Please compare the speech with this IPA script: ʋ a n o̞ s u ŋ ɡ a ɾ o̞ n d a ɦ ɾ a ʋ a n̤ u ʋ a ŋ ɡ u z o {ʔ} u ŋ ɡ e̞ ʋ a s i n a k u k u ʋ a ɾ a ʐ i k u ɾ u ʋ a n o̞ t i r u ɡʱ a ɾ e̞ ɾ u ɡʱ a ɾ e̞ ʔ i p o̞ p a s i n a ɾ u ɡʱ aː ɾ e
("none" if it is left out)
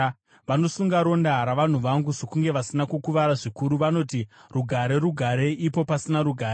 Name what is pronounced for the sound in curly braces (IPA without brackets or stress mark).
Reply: k